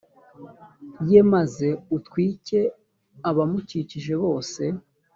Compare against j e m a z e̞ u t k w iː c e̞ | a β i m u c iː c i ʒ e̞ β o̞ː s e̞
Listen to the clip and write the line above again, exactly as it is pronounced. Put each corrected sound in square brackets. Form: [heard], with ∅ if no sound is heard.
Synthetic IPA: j e m a z e̞ u t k w iː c e̞ | a β [a] m u c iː c i ʒ e̞ β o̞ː s e̞